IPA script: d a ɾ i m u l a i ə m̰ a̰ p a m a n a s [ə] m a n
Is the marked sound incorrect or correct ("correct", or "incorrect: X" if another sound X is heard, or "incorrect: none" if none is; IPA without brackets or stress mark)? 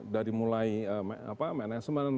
correct